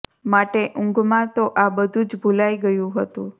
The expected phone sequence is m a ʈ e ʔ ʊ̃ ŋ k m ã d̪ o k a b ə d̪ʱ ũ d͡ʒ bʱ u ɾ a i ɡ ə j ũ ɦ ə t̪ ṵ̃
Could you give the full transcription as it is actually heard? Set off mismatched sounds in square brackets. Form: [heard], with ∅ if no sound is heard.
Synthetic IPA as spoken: m a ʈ e ʔ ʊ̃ ŋ [ɡ] m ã [t̪] o [ʔ] a b ə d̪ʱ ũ d͡ʒ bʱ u [l] a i ɡ ə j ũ ɦ ə t̪ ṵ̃